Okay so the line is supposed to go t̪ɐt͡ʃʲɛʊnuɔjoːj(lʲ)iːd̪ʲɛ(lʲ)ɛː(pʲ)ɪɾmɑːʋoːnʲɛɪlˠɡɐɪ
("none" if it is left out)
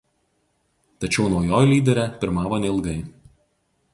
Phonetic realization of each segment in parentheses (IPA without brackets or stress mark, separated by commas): lʲ, ɾʲ, pʲ